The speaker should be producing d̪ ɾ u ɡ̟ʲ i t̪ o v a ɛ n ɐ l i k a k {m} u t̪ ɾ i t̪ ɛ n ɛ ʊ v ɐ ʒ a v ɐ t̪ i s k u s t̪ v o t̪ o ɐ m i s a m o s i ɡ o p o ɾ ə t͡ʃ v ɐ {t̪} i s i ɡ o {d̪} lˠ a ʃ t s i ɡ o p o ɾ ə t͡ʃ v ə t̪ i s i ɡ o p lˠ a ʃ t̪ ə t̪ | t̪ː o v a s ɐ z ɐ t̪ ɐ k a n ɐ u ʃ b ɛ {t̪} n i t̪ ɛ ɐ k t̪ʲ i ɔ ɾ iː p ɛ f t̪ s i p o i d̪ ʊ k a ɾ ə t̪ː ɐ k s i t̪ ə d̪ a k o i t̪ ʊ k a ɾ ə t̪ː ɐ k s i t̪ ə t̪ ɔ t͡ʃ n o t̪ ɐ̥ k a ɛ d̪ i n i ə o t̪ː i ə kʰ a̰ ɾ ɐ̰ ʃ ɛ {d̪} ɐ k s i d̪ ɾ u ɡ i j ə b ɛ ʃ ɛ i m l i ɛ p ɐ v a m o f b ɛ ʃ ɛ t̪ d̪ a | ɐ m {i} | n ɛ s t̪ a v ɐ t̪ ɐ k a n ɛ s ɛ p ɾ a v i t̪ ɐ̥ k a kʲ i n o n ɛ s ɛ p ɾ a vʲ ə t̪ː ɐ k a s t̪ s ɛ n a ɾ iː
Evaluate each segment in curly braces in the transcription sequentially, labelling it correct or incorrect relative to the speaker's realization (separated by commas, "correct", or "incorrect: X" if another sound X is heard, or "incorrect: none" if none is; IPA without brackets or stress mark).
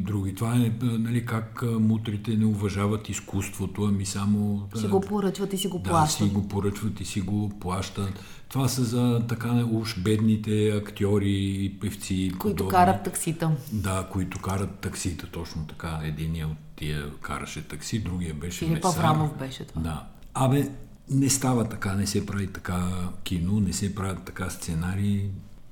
correct, correct, correct, incorrect: d̪, incorrect: t̪, incorrect: ɛ